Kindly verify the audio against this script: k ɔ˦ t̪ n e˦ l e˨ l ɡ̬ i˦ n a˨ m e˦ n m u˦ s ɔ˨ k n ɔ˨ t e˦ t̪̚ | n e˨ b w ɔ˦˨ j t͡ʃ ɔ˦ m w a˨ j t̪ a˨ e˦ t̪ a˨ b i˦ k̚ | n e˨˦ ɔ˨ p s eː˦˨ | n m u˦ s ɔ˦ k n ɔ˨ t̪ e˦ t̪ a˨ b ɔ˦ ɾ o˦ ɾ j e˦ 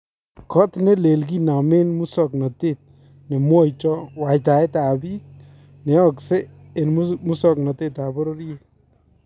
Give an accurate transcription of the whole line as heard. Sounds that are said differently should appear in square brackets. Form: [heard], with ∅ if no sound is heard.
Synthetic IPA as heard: k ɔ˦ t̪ n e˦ l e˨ l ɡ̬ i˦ n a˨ m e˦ n m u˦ s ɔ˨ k n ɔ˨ t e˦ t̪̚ | n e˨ [m] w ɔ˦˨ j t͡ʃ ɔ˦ [∅] w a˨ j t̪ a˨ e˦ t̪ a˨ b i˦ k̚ | n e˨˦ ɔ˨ [k] s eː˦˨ | n m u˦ s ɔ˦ k n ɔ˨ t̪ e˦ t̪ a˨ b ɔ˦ ɾ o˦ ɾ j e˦